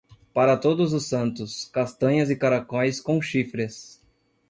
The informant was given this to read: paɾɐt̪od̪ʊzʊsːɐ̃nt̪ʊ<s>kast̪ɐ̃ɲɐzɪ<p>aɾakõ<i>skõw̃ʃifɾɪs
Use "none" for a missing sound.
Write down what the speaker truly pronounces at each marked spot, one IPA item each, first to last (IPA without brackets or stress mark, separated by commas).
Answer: s, k, j